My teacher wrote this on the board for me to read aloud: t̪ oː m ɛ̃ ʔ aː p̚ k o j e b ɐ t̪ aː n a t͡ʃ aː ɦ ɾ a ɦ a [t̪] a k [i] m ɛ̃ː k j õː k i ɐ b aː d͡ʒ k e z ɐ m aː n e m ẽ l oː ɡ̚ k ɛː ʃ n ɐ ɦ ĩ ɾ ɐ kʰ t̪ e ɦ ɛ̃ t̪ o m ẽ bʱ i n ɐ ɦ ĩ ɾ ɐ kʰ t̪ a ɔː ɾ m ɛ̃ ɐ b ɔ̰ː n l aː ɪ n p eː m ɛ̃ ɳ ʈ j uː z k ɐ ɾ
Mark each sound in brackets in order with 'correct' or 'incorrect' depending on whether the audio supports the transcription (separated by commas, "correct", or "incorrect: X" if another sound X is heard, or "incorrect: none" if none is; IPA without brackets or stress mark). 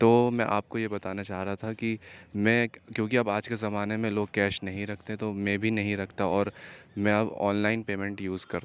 incorrect: t̪ʰ, correct